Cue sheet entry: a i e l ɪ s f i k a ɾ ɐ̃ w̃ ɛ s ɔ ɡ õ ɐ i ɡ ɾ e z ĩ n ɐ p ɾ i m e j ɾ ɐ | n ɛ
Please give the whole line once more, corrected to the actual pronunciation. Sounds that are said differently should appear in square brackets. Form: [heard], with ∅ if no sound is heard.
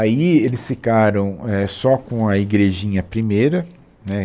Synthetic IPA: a i e l ɪ s f i k a ɾ ɐ̃ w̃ ɛ s ɔ [k] õ ɐ i ɡ ɾ e [ʒ] ĩ [ɲ] ɐ p ɾ i m e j ɾ ɐ | n ɛ